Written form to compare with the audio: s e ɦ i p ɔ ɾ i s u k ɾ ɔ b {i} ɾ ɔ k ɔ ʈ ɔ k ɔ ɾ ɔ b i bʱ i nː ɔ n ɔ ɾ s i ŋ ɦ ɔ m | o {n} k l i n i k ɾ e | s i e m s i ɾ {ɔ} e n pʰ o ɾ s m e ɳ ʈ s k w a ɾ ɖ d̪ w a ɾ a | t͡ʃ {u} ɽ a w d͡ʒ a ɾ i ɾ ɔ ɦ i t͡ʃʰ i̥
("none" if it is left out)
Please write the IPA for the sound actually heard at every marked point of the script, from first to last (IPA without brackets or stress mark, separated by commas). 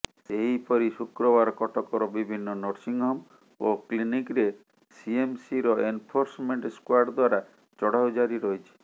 a, none, ɔ, ɔ